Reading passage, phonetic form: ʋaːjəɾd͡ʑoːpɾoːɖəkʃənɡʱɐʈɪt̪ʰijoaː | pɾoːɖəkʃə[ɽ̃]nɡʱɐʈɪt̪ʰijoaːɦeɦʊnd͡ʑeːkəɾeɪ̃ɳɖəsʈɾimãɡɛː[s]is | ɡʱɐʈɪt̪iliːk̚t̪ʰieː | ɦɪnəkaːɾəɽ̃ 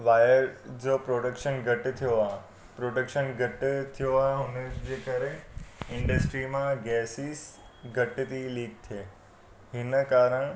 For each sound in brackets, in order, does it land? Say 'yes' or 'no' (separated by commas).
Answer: no, yes